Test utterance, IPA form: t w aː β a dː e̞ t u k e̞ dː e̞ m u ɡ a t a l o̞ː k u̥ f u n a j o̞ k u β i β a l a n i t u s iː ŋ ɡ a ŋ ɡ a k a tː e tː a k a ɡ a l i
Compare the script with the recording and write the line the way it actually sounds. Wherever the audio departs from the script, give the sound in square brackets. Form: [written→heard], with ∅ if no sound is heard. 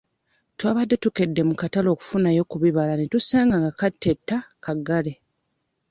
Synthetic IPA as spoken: t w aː β a dː e̞ t u k e̞ dː e̞ m u [ɡ→k] a t a l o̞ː k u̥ f u n a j o̞ k u β i β a l a n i t u s [iː→aː] ŋ ɡ a ŋ ɡ a k a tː e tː a k a ɡ a l [i→e]

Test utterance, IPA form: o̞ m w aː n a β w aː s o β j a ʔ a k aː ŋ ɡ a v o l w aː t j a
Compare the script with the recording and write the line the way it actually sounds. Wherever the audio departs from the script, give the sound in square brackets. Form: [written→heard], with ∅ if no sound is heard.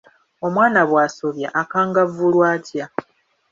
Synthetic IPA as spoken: o̞ m w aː n a β w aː s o β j a ʔ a k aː ŋ ɡ a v [o→u] l w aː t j a

